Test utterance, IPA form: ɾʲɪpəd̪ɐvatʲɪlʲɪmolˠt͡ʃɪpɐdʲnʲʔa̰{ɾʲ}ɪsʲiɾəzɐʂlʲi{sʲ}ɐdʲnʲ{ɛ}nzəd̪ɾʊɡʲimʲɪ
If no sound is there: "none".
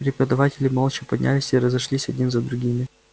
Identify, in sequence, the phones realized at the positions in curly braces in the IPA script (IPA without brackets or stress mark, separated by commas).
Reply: lʲ, sʲ, i